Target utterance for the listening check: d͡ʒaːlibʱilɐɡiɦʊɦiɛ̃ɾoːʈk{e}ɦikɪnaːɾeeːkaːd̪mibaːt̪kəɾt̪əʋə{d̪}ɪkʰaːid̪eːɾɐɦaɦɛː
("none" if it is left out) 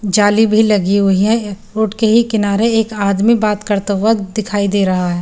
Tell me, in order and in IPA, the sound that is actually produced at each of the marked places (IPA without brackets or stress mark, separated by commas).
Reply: e, d̪